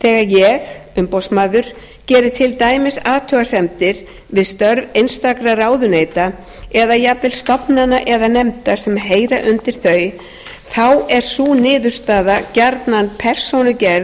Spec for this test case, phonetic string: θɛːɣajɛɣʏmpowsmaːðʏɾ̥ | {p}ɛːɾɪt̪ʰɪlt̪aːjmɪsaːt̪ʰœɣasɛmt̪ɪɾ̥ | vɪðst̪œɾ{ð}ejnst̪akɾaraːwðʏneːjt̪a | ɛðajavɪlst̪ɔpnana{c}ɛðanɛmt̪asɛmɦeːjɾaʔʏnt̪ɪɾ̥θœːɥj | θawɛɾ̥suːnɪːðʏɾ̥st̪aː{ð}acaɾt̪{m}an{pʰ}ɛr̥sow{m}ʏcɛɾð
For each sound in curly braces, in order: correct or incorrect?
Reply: incorrect: c, incorrect: v, incorrect: ʔ, correct, incorrect: n, correct, incorrect: n

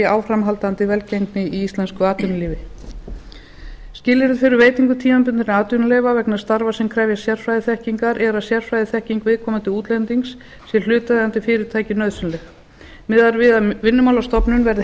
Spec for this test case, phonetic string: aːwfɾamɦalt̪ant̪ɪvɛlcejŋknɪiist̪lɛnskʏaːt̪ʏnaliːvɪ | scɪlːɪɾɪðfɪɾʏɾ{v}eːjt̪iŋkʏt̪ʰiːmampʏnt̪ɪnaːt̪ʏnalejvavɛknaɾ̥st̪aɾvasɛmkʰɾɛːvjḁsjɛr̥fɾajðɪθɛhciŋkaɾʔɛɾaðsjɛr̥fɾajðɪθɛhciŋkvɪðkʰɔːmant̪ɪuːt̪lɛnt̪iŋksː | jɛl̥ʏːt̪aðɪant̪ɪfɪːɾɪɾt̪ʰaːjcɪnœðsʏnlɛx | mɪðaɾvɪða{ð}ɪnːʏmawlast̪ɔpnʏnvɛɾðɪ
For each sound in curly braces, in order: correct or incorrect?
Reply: correct, incorrect: v

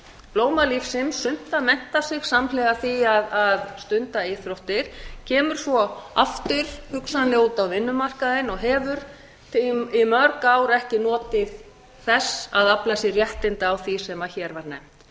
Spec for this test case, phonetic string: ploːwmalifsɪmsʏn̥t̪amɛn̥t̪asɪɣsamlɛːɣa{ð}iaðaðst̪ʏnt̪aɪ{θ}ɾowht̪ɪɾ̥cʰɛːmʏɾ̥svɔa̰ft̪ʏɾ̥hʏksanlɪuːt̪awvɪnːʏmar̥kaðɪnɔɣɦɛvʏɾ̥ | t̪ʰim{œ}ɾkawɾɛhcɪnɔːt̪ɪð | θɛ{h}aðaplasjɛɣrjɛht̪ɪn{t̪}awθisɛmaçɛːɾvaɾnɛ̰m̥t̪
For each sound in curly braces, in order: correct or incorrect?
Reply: incorrect: θ, correct, correct, incorrect: s, correct

